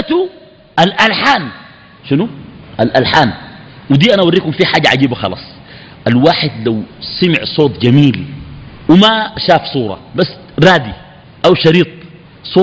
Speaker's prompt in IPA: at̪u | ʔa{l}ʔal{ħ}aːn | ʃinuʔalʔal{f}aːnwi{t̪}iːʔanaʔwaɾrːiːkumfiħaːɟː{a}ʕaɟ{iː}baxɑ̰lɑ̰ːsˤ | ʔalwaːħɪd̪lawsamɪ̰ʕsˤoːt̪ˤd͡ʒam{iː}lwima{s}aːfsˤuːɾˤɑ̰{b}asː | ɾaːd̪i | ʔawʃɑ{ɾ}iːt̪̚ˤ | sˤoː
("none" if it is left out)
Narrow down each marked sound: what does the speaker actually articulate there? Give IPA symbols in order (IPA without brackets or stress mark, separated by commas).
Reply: l, ħ, ħ, d̪, a, iː, iː, ʃ, b, ɾ